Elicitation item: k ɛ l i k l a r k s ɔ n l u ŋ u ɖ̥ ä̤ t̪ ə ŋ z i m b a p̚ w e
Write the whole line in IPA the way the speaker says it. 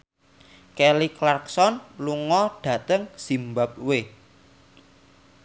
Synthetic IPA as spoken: k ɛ l i k l a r k s ɔ n l u ŋ ɔ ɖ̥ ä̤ t̪ ə ŋ s i m b a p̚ w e